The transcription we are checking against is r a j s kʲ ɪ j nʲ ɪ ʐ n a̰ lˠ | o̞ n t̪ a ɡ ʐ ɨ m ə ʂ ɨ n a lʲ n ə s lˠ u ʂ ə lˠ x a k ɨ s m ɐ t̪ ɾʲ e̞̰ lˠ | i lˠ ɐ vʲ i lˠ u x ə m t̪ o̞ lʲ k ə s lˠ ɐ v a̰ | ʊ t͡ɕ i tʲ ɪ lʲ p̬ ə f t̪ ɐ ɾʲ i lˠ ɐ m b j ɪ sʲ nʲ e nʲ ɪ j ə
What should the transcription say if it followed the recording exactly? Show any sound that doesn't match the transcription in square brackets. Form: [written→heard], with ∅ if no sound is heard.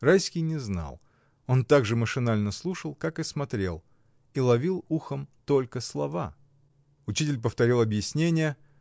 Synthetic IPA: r a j s kʲ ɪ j nʲ ɪ [ʐ→z] n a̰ lˠ | o̞ n t̪ a ɡ ʐ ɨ m ə ʂ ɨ n a lʲ n ə s lˠ u ʂ ə lˠ [x→k] a k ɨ s m ɐ t̪ ɾʲ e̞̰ lˠ | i lˠ ɐ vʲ i lˠ u x ə m t̪ o̞ lʲ k ə s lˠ ɐ v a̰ | ʊ t͡ɕ i tʲ ɪ lʲ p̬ ə f t̪ ɐ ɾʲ i lˠ ɐ [m→∅] b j ɪ sʲ nʲ e nʲ ɪ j ə